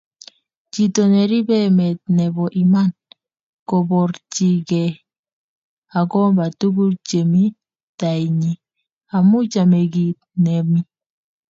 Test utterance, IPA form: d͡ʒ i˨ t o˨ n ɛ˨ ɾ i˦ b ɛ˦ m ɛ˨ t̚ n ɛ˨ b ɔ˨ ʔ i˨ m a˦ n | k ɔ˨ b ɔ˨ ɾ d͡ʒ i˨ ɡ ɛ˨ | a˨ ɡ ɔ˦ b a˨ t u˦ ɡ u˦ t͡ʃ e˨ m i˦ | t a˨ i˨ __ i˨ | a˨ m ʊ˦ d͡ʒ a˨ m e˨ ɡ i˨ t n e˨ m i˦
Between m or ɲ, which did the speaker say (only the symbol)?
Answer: ɲ